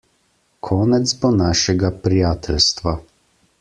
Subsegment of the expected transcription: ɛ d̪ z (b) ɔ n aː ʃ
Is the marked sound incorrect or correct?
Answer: correct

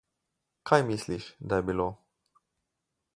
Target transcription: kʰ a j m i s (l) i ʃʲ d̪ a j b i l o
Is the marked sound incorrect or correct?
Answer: correct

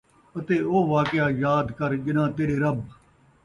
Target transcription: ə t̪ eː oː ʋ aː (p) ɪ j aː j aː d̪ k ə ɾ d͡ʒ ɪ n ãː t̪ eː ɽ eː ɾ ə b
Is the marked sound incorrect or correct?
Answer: incorrect: k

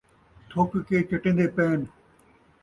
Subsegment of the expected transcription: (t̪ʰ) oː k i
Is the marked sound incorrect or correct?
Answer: correct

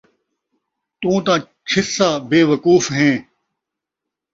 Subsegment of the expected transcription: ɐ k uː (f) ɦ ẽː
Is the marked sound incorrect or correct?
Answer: correct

